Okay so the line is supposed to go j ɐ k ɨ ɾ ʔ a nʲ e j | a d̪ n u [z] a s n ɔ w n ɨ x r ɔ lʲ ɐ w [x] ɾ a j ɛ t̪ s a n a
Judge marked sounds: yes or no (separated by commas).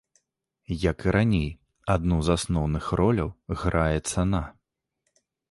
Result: yes, no